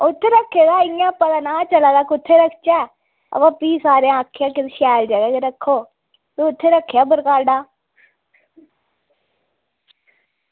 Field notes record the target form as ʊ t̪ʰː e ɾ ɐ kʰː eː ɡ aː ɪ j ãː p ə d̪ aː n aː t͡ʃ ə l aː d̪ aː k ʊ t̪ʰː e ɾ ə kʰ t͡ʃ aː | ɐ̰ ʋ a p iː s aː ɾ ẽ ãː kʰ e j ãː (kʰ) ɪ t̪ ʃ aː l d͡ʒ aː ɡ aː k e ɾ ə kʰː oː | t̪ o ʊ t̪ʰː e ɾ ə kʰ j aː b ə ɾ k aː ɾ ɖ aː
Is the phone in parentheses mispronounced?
yes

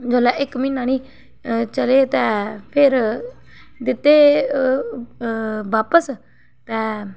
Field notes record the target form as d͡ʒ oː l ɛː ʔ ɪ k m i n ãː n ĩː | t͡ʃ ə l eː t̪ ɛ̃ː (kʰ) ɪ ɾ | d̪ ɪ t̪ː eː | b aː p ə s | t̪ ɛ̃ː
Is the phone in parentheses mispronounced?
yes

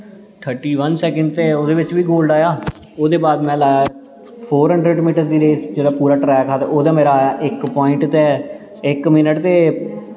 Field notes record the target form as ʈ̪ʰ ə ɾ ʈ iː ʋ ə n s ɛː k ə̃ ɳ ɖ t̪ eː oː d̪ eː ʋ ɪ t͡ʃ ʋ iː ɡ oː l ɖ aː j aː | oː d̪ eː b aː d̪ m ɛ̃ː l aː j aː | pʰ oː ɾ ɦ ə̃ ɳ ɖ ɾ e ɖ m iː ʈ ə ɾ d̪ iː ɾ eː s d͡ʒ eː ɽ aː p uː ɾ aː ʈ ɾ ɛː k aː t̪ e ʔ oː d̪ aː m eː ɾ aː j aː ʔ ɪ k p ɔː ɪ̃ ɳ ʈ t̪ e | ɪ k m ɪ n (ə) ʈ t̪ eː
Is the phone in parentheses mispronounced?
no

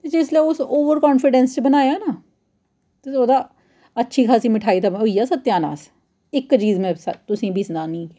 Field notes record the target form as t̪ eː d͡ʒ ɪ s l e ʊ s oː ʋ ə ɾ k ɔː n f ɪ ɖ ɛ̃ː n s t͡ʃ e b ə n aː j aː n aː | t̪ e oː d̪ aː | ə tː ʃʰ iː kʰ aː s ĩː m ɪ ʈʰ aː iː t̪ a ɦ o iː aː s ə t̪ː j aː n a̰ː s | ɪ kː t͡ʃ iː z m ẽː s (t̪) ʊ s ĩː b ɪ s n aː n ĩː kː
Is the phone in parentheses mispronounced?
no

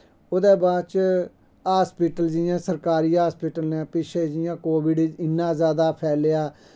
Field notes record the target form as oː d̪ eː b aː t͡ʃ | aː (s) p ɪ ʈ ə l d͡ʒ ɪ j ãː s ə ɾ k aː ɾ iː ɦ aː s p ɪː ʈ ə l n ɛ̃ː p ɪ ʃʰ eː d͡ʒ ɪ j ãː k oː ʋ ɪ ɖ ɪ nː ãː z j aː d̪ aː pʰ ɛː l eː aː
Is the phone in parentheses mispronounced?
no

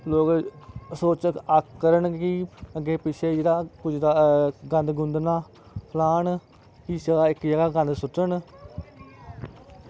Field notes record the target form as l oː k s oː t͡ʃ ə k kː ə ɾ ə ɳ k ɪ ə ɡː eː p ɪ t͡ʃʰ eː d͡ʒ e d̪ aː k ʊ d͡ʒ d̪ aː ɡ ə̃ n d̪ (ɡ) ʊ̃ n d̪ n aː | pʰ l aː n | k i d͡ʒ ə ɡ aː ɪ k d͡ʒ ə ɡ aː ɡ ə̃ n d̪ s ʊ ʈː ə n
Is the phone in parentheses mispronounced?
no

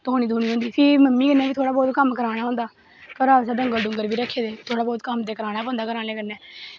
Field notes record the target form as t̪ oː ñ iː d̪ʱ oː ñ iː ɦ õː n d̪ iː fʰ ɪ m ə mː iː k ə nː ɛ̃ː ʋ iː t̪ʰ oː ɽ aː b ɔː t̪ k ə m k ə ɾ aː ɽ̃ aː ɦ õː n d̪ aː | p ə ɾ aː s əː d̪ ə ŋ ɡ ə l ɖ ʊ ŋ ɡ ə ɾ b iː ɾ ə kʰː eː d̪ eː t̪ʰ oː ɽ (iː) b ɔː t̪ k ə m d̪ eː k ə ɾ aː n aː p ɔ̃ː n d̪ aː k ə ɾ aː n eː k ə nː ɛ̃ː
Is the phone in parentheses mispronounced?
yes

